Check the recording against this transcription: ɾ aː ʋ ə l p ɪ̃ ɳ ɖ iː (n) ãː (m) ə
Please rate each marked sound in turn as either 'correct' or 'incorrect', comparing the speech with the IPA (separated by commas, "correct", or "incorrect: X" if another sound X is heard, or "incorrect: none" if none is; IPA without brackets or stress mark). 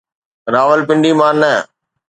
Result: incorrect: m, incorrect: n